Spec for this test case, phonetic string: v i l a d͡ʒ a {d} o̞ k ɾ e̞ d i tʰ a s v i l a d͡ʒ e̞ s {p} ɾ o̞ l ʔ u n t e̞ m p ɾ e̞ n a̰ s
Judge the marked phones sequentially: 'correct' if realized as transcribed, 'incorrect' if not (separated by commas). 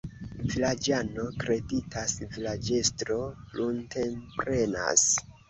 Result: incorrect, incorrect